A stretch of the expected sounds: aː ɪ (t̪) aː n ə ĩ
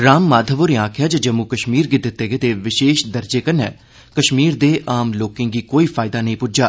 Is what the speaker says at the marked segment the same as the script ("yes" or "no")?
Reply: no